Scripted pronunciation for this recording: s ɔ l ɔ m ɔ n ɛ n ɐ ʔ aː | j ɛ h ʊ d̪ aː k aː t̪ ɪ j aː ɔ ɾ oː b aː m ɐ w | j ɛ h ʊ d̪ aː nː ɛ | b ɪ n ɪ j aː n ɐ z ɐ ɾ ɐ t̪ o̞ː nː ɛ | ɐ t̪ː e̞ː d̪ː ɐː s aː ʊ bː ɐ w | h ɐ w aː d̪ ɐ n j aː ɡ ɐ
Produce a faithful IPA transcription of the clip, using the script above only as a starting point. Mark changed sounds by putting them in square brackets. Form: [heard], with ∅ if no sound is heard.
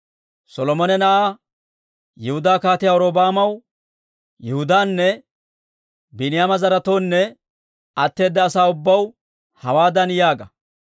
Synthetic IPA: s ɔ l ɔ m ɔ n ɛ n ɐ ʔ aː | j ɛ h ʊ d̪ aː k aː t̪ ɪ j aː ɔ ɾ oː b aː m ɐ w | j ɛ h ʊ d̪ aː nː ɛ | b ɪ n ɪ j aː [m] ɐ z ɐ ɾ ɐ t̪ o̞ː nː ɛ | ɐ t̪ː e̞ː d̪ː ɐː s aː ʊ bː ɐ w | h ɐ w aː d̪ ɐ n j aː ɡ ɐ